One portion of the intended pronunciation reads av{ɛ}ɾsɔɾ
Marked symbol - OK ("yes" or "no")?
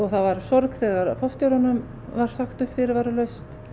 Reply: no